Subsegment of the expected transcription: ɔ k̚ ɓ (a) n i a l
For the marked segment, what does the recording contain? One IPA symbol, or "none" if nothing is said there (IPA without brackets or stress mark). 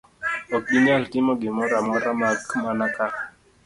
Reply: i